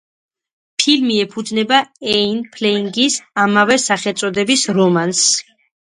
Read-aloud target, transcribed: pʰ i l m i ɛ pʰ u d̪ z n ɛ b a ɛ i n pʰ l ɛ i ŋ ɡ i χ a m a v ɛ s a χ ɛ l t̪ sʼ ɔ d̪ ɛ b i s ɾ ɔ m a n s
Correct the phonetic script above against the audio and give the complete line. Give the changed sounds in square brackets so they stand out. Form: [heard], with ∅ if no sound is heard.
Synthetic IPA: pʰ i l m i ɛ pʰ u d̪ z n ɛ b a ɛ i n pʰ l ɛ i ŋ ɡ i [s] a m a v ɛ s a χ ɛ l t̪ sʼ ɔ d̪ ɛ b i s ɾ ɔ m a n s